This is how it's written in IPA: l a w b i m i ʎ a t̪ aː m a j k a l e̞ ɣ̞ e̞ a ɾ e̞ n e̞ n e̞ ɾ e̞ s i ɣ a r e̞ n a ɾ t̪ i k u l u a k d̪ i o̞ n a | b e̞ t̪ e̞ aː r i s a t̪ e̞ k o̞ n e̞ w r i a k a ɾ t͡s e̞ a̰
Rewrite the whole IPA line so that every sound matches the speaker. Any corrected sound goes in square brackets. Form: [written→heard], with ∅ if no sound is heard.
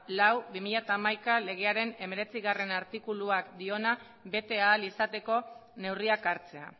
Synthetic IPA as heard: l a w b i m i ʎ a t̪ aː m a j k a l e̞ ɣ̞ e̞ a ɾ e̞ n e̞ [n→m] e̞ ɾ e̞ [s→t͡s] i ɣ a r e̞ n a ɾ t̪ i k u l u a k d̪ i o̞ n a | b e̞ t̪ e̞ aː [r→l] i s a t̪ e̞ k o̞ n e̞ w r i a k a ɾ t͡s e̞ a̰